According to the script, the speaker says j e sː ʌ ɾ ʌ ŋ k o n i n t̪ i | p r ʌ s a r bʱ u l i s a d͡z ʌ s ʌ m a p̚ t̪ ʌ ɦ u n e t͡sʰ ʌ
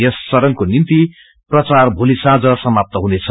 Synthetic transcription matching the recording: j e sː ʌ ɾ ʌ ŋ k o n i n t̪ i | p r ʌ t͡s a r bʱ u l i s a d͡z ʌ s ʌ m a p̚ t̪ ʌ ɦ u n e t͡sʰ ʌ